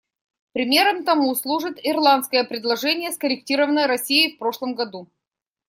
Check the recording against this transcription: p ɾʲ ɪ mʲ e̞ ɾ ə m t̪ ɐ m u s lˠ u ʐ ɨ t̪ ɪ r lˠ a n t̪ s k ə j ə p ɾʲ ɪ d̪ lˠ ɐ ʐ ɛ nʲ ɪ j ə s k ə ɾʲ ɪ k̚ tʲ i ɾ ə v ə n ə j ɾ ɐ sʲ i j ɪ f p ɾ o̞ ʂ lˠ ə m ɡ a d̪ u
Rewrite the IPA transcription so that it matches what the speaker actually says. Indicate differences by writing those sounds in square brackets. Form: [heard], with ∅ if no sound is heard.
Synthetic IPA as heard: p ɾʲ ɪ mʲ e̞ ɾ ə m t̪ ɐ m u s lˠ u ʐ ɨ t̪ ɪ r lˠ a n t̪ s k ə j ə p ɾʲ ɪ d̪ lˠ ɐ ʐ ɛ nʲ ɪ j ə s k ə ɾʲ ɪ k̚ tʲ i ɾ ə v ə n ə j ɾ ɐ sʲ i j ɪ f p ɾ o̞ ʂ lˠ ə m ɡ [ɐ] d̪ u